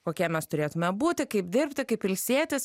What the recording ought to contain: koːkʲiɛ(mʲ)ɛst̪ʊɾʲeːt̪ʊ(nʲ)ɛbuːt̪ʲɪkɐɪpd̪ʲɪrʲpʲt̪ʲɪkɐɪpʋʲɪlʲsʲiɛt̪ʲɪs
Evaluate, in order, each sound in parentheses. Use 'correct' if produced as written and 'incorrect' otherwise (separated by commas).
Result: correct, incorrect